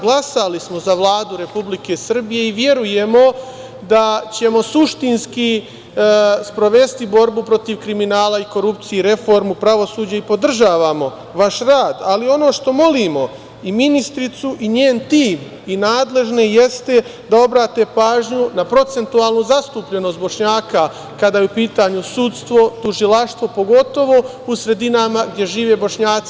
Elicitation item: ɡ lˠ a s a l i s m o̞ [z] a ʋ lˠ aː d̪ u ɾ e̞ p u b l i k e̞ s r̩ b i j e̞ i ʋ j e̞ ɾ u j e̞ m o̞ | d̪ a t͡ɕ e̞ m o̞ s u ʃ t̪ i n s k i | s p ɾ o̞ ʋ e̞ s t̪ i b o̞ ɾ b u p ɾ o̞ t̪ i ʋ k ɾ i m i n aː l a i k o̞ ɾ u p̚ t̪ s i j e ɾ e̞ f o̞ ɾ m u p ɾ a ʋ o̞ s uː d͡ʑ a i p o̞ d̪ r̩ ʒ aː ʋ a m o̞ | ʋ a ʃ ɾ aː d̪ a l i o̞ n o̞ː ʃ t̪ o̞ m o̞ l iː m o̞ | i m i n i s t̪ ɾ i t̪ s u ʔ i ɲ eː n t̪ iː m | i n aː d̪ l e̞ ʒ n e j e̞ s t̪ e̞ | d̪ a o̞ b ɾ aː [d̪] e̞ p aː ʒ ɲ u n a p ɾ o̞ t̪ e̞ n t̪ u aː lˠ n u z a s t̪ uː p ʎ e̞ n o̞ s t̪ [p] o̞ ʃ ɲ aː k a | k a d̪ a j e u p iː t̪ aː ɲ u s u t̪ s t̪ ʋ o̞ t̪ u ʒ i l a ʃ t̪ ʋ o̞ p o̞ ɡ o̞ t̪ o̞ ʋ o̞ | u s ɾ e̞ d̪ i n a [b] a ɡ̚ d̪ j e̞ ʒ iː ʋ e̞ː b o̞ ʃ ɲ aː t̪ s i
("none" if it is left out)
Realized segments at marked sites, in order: z, t̪, b, m

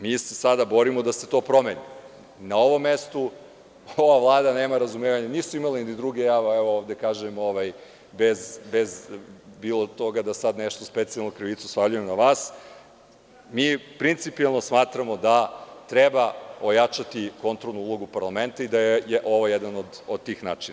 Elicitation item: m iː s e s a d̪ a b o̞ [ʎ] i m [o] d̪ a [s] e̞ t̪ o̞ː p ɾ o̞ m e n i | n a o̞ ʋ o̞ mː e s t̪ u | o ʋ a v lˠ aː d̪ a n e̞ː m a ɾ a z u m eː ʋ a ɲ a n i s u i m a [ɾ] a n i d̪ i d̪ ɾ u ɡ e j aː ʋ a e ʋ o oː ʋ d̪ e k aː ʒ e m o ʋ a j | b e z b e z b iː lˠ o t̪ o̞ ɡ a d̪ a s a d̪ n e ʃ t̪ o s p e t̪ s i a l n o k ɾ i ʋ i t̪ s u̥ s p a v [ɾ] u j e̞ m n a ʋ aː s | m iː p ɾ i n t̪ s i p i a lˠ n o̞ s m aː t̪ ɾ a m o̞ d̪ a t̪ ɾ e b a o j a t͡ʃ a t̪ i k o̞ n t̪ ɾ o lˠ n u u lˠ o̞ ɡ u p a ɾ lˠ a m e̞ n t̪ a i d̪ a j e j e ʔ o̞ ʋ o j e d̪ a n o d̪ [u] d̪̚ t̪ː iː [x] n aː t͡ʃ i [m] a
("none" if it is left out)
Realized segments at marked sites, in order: ɾ, o, s, l, ʎ, o, x, n

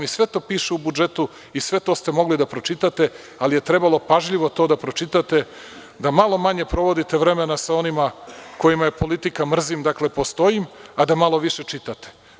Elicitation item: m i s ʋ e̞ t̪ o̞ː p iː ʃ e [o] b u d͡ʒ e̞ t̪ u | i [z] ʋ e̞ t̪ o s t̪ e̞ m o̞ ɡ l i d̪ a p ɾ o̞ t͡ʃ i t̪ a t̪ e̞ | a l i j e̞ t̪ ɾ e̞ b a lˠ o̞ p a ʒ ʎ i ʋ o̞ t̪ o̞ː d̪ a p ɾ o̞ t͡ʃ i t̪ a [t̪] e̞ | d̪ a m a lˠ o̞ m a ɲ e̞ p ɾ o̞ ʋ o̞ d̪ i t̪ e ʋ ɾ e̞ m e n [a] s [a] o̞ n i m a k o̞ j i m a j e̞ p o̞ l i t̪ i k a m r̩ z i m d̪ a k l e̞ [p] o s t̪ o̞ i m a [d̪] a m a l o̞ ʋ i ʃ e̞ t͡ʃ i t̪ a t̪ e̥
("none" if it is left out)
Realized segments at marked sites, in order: u, s, t̪, a, a, p, d̪

